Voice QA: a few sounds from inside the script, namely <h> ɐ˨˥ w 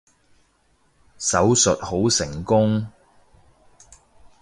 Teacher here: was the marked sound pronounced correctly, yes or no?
no